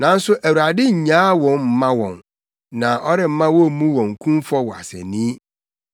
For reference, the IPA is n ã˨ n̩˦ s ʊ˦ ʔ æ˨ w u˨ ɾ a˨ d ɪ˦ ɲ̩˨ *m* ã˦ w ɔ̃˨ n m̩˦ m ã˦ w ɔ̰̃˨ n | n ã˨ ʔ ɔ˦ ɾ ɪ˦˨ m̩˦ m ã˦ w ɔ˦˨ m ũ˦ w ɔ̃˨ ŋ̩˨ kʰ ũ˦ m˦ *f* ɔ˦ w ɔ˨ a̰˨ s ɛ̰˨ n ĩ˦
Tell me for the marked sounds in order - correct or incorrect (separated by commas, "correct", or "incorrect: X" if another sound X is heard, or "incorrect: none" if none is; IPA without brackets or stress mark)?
incorrect: ɲ, correct